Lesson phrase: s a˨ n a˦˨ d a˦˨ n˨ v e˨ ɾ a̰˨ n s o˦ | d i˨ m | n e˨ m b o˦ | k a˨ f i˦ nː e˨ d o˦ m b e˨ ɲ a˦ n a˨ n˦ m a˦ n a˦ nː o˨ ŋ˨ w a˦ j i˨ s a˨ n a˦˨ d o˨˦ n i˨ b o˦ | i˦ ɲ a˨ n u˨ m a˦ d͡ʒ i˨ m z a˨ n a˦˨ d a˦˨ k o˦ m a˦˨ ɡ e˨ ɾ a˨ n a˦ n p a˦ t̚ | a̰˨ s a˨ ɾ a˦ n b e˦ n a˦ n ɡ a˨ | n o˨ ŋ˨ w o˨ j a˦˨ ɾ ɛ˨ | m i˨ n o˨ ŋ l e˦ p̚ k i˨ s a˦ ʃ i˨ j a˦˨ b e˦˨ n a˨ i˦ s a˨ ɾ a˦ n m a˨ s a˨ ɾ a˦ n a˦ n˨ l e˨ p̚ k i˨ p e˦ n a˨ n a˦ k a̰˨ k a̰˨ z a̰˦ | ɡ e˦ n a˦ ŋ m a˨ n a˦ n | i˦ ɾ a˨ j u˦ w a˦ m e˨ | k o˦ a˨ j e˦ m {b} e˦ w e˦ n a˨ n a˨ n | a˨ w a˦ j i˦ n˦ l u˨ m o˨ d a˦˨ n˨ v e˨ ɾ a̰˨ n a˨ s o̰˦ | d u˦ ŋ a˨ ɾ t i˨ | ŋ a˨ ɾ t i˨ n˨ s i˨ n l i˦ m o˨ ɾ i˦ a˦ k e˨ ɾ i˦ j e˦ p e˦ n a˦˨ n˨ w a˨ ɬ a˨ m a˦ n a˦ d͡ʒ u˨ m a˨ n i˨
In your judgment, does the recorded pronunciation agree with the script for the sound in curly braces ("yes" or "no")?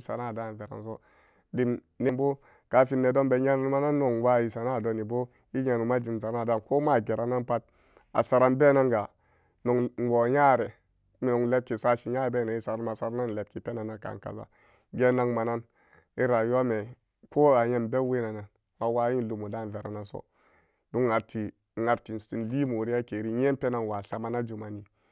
yes